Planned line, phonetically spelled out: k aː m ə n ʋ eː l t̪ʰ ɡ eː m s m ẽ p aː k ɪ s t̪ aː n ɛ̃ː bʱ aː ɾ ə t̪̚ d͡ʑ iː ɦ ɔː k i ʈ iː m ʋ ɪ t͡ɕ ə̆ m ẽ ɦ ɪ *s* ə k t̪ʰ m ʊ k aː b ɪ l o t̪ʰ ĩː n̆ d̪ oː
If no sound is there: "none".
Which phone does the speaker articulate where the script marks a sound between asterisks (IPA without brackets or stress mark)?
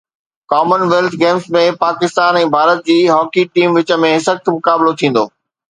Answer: s